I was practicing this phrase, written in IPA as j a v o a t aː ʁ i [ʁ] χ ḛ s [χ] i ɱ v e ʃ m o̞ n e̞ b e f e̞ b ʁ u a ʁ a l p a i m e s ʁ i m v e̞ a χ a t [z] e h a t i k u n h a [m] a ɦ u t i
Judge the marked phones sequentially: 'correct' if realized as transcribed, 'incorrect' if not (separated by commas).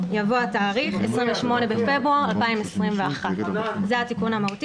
incorrect, incorrect, correct, correct